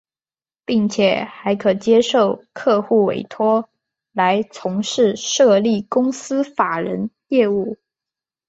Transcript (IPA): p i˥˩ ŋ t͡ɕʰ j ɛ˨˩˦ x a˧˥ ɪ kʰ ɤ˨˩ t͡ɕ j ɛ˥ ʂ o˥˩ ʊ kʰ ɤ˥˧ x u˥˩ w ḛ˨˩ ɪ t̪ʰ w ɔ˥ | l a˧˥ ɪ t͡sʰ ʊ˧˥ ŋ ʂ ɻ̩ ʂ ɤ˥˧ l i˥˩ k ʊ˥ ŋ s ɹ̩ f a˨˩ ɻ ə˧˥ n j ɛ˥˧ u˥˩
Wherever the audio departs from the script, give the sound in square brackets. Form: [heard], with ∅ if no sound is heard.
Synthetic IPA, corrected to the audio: p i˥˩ ŋ t͡ɕʰ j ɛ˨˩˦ x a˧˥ ɪ kʰ ɤ˨˩ t͡ɕ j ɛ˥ ʂ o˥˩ ʊ kʰ ɤ˥˧ x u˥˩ w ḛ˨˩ ɪ t̪ʰ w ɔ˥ | l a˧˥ ɪ t͡sʰ ʊ˧˥ ŋ ʂ ɻ̩ ʂ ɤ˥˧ l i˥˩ k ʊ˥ ŋ s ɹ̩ f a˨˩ ɻ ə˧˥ n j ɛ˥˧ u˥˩